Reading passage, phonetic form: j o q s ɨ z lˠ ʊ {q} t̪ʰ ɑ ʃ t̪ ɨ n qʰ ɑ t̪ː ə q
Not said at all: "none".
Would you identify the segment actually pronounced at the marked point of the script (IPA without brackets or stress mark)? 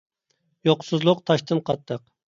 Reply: q